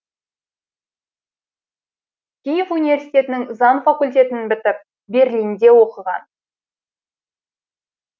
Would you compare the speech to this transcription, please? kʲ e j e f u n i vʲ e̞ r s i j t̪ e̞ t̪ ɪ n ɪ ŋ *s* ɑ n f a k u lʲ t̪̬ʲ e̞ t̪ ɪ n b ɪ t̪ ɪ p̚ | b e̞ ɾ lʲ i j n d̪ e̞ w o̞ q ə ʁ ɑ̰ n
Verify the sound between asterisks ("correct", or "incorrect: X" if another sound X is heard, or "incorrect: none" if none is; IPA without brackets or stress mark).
incorrect: z